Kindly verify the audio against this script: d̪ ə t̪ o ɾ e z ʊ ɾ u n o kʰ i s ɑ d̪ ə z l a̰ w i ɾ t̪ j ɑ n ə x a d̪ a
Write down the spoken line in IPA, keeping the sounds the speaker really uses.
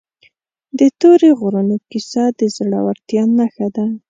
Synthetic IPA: d̪ ə t̪ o ɾ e ɣ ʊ ɾ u n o k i s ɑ d̪ ə z ɽ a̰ w a ɾ t̪ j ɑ n a x a d̪ a